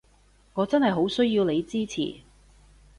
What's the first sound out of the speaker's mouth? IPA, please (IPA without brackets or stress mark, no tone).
ŋ